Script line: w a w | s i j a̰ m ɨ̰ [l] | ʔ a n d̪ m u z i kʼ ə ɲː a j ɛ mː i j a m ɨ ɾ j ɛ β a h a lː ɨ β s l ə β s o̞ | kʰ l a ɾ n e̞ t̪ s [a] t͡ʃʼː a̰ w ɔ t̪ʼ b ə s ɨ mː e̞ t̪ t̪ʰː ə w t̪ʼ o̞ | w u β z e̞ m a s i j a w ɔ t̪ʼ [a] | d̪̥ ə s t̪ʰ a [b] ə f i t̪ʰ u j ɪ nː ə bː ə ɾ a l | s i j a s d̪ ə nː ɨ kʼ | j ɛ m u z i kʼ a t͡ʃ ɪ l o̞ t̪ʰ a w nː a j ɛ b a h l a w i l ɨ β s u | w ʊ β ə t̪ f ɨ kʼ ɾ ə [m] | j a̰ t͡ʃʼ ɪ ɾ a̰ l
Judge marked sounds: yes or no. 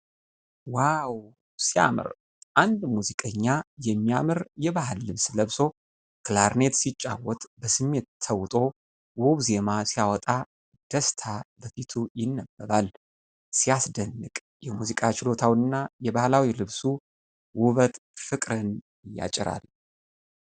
no, no, yes, yes, no

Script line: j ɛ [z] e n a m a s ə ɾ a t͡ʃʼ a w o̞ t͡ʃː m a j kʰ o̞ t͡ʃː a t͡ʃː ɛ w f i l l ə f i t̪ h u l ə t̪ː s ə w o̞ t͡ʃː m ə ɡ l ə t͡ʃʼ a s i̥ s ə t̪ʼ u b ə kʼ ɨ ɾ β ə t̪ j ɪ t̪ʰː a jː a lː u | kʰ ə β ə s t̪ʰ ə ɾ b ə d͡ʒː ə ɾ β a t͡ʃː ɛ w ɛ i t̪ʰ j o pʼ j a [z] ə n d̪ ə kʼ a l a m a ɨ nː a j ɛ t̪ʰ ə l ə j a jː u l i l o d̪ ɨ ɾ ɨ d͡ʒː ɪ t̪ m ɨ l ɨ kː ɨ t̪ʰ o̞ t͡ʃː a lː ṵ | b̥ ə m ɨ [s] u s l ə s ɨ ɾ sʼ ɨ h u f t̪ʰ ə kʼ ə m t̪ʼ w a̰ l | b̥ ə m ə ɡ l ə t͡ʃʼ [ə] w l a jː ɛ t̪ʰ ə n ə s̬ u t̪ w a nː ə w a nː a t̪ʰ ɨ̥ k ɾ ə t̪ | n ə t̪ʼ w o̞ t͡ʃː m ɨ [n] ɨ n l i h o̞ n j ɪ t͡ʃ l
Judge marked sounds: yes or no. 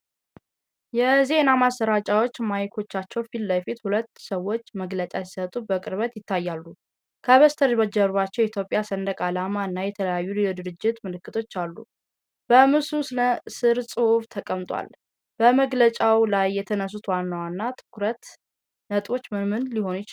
yes, no, yes, no, no

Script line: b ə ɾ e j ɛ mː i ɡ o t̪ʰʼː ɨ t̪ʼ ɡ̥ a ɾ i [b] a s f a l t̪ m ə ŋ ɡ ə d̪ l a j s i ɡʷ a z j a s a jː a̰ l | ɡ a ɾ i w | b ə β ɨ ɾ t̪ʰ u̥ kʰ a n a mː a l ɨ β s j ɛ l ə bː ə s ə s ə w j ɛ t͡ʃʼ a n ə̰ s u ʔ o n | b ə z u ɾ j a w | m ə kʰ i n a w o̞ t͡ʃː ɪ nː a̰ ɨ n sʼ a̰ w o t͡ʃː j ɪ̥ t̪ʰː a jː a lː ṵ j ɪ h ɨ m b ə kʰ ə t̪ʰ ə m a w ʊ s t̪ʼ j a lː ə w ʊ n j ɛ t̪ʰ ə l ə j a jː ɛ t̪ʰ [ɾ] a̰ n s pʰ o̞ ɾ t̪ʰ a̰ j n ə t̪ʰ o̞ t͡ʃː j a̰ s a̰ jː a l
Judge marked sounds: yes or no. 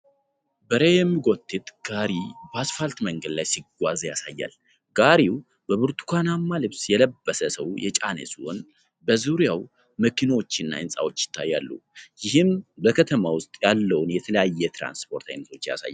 yes, yes

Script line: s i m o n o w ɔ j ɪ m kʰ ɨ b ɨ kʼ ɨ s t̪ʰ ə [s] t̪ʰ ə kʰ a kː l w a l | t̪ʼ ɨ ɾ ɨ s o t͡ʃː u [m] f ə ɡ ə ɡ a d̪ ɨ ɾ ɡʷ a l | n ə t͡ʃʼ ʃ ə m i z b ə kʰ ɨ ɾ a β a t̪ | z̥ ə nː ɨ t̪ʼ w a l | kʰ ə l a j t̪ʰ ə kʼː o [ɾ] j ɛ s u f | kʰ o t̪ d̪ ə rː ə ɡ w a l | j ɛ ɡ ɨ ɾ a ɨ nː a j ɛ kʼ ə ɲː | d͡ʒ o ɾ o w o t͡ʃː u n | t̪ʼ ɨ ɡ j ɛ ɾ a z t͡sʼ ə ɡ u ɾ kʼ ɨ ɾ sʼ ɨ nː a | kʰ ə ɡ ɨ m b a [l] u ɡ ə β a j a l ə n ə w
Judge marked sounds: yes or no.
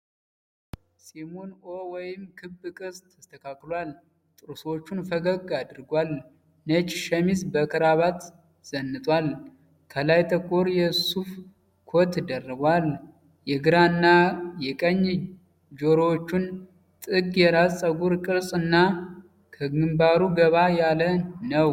yes, no, yes, no

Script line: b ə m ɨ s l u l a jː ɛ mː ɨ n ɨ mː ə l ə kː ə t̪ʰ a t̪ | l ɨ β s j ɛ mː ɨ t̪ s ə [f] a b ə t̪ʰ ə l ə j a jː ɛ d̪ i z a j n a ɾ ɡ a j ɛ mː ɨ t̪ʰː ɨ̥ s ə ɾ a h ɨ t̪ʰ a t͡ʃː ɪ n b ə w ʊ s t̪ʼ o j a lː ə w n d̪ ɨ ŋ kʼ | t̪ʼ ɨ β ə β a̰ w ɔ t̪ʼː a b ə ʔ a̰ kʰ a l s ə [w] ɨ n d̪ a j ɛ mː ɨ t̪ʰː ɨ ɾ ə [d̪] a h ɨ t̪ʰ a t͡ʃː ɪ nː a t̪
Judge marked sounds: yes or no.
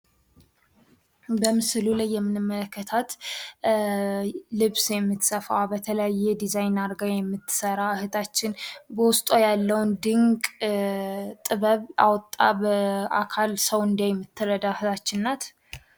yes, yes, yes

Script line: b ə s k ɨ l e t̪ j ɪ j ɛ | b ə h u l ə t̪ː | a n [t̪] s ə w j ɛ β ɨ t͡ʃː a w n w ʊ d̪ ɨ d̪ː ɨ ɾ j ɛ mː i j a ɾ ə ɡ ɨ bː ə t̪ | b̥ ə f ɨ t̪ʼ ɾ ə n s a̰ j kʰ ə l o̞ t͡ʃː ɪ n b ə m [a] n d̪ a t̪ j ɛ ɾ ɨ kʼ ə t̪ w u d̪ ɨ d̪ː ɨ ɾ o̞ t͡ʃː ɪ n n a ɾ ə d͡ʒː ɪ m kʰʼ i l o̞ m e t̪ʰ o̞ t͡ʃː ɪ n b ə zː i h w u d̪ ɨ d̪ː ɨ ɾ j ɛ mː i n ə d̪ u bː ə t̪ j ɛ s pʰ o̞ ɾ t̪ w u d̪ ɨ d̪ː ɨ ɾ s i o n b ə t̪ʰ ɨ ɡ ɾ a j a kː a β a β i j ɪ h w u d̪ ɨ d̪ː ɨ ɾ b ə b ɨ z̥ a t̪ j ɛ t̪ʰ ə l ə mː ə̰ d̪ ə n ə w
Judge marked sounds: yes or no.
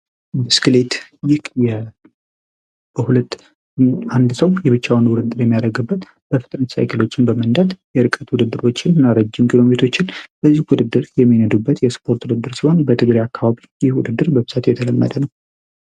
no, no

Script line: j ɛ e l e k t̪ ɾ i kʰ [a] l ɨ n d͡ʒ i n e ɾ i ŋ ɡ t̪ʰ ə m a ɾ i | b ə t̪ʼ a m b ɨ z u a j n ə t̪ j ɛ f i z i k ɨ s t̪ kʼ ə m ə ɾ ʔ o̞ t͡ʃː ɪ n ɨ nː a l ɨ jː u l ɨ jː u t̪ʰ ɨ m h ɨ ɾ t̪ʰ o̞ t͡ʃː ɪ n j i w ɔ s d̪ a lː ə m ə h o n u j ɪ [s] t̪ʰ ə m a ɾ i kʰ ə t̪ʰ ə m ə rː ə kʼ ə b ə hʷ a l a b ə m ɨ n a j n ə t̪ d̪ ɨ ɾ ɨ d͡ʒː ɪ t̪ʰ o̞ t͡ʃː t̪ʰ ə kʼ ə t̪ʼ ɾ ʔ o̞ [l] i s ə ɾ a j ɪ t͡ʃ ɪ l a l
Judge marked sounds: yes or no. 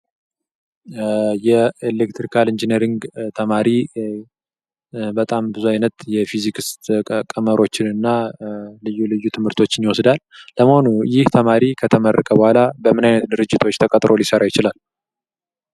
yes, no, yes

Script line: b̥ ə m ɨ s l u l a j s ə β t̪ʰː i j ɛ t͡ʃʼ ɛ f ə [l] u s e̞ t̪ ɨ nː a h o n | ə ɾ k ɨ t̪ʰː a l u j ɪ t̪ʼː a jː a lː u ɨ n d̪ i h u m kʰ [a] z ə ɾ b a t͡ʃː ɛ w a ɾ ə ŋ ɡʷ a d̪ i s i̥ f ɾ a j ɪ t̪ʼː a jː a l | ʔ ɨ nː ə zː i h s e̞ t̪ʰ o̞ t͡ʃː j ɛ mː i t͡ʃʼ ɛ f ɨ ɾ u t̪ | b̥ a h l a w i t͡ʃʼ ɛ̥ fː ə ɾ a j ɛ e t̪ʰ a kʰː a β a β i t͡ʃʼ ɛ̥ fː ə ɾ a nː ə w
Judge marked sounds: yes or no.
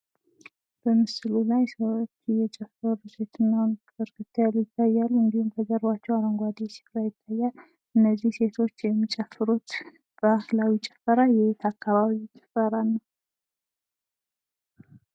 no, no

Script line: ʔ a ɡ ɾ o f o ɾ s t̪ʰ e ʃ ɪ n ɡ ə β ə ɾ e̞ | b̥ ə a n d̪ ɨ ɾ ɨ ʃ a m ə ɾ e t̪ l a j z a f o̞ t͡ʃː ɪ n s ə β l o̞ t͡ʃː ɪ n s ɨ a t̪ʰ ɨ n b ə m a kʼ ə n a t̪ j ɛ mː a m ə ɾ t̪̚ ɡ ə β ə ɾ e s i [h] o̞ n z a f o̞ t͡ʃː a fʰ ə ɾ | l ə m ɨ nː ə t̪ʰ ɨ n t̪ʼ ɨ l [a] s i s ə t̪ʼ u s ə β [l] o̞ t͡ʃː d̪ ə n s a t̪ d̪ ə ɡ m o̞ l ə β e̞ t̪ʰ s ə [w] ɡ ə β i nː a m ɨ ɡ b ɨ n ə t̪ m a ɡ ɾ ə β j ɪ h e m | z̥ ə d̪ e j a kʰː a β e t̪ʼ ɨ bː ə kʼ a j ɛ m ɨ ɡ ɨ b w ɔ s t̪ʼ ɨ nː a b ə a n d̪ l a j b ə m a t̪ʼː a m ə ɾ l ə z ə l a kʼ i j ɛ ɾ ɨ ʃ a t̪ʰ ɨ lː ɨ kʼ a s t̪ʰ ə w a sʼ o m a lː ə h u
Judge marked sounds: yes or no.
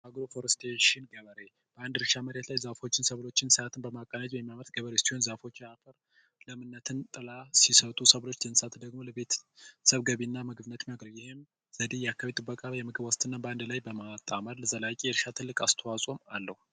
yes, yes, yes, no

